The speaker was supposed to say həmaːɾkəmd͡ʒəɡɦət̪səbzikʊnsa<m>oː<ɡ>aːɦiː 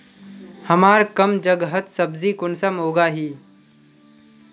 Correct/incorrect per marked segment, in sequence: correct, correct

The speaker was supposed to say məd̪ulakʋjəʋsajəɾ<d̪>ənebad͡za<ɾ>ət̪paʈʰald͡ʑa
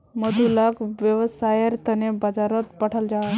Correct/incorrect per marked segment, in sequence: incorrect: t̪, correct

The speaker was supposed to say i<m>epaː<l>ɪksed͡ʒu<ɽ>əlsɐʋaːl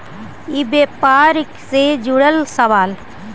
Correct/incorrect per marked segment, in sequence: incorrect: b, incorrect: ɾ, correct

